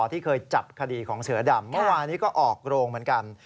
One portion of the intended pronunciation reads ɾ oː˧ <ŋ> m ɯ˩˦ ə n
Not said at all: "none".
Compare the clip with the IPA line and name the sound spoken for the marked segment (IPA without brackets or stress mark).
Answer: ŋ